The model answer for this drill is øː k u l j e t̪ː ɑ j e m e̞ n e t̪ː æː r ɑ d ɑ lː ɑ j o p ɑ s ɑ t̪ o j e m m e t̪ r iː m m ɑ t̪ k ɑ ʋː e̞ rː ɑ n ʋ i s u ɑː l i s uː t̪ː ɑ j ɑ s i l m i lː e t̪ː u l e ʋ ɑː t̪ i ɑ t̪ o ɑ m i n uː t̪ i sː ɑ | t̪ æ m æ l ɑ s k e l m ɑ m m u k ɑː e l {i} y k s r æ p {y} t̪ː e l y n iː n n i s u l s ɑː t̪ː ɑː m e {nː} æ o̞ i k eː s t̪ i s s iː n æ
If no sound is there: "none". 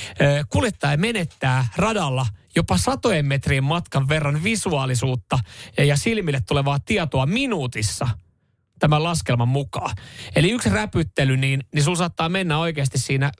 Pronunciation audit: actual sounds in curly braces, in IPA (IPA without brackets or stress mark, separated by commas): i, y, nː